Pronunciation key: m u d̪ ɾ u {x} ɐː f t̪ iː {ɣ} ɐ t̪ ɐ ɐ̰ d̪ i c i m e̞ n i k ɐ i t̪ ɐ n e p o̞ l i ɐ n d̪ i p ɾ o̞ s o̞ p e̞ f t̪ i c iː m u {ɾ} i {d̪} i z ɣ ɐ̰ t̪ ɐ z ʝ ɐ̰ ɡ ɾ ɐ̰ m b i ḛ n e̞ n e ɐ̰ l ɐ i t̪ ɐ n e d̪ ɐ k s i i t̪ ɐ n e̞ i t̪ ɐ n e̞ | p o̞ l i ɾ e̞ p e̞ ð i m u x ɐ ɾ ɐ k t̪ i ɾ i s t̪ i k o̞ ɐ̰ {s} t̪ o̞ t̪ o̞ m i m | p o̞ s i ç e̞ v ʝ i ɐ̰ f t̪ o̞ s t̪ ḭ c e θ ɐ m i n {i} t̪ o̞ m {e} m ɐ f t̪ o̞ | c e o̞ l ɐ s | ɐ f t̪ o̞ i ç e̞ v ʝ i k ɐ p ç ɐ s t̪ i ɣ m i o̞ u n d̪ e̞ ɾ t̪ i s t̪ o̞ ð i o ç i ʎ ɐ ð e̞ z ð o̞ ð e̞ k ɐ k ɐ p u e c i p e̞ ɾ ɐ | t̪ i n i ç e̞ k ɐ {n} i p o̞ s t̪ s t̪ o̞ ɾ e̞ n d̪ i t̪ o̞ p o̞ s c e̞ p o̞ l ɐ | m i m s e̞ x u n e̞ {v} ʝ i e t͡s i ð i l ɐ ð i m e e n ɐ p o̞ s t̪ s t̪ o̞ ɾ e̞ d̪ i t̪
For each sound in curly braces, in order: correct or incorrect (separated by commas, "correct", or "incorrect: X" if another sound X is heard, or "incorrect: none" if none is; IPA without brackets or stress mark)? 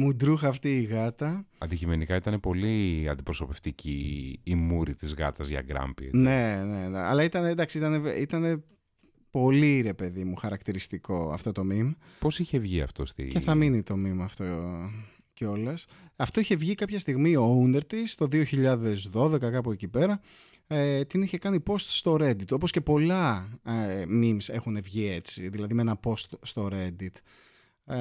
correct, correct, correct, incorrect: t̪, incorrect: f, correct, incorrect: i, correct, correct